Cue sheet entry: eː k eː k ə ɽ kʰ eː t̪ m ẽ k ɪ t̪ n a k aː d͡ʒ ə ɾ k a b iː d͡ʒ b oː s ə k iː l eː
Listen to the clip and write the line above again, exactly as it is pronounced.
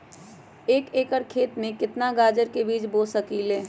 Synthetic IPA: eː k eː k ə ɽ kʰ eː t̪ m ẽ k ɪ t̪ n a ɡ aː d͡ʒ ə ɾ k e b iː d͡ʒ b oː s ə k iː l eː